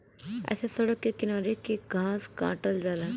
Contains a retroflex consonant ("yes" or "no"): yes